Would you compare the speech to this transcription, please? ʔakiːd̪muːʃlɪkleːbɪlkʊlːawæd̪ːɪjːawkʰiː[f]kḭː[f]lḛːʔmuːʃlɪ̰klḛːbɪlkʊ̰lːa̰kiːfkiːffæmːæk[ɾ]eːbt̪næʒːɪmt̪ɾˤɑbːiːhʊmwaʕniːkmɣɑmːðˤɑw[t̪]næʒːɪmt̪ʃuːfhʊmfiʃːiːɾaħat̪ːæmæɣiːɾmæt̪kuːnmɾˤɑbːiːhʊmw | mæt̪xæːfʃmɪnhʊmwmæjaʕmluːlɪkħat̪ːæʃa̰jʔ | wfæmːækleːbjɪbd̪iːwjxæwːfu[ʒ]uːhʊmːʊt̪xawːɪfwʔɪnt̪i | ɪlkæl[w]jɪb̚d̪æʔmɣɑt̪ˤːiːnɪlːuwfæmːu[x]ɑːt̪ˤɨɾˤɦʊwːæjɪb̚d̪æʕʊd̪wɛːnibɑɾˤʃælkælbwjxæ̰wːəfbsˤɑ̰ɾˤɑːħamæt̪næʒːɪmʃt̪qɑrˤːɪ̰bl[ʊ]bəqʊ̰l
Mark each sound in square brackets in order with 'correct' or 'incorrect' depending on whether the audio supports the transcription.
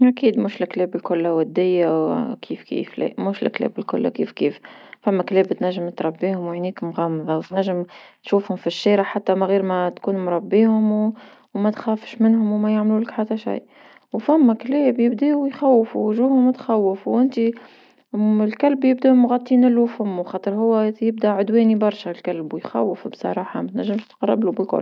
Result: correct, correct, incorrect: l, correct, correct, incorrect: b, correct, incorrect: u

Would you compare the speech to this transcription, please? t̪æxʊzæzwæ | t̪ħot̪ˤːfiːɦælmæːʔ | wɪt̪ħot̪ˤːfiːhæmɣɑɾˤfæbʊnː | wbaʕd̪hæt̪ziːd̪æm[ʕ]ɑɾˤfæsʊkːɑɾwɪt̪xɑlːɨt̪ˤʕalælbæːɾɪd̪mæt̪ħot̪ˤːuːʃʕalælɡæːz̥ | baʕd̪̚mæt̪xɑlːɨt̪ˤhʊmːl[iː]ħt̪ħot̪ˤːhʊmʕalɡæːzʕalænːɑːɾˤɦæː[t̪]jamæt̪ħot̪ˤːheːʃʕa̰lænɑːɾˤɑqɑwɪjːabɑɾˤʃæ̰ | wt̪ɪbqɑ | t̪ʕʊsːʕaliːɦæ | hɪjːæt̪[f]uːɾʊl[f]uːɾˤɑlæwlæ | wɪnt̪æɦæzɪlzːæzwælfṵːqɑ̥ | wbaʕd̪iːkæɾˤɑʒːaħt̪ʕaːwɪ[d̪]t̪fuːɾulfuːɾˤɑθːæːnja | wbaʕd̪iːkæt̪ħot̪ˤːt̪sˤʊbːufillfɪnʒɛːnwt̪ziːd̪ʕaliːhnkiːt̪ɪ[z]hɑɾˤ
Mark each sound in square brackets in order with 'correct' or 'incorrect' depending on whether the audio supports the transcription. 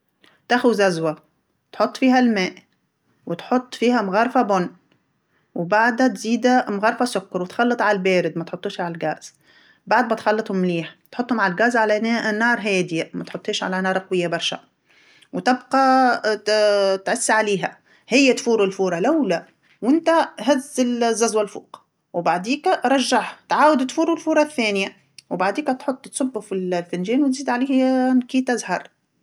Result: incorrect: ɣ, correct, incorrect: d̪, correct, correct, correct, correct

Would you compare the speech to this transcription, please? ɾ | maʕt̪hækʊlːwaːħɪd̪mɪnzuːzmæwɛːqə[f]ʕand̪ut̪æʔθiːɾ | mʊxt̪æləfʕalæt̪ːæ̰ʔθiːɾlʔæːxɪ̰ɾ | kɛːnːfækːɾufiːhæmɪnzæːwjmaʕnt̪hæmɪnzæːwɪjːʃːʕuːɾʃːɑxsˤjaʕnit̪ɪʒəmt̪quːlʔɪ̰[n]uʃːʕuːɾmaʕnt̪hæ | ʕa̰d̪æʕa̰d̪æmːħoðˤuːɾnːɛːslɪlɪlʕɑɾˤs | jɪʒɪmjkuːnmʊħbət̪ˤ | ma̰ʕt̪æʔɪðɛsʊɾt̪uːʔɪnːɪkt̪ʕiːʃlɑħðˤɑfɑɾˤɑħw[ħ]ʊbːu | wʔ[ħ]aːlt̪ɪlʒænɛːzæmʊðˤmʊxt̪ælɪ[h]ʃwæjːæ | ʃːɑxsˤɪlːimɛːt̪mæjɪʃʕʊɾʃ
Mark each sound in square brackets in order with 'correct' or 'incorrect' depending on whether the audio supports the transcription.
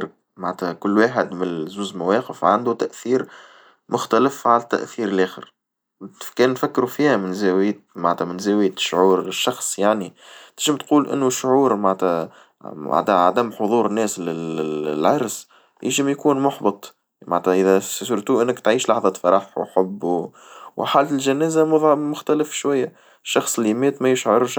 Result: correct, incorrect: nː, correct, correct, incorrect: f

